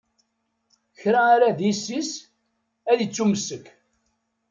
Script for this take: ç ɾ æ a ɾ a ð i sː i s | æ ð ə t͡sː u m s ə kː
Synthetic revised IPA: ç ɾ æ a ɾ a ð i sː i s | æ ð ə t͡sː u m s ə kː